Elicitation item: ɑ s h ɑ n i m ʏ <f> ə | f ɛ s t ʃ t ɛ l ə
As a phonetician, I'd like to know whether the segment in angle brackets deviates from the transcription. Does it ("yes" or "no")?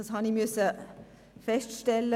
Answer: yes